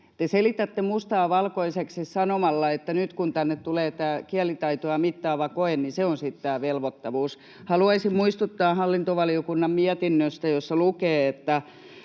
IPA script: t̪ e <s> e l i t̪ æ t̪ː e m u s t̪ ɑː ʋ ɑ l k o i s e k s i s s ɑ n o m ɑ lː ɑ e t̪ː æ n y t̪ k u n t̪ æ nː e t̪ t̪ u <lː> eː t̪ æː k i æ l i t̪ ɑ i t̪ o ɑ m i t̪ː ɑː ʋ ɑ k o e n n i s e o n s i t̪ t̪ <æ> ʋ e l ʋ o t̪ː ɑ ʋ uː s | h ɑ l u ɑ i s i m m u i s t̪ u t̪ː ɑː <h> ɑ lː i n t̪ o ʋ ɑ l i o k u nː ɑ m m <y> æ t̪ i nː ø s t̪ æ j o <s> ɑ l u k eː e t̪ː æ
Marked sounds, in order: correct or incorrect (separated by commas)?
correct, incorrect, incorrect, correct, incorrect, incorrect